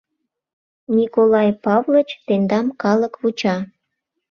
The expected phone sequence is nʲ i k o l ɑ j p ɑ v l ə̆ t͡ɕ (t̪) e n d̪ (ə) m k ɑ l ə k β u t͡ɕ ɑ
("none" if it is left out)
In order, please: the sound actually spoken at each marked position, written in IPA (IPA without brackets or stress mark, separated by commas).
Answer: t̪, ɑ